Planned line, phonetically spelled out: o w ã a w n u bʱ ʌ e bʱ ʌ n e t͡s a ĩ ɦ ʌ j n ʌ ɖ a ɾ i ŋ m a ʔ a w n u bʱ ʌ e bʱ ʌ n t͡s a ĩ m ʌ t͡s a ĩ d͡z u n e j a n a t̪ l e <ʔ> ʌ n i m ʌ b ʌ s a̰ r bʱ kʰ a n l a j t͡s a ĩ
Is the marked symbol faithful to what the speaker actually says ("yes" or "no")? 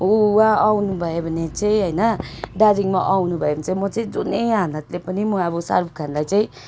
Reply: no